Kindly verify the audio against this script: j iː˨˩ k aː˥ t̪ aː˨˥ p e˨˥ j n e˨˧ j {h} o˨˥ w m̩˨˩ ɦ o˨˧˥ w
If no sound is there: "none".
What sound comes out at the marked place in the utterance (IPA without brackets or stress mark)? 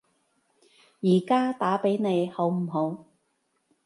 h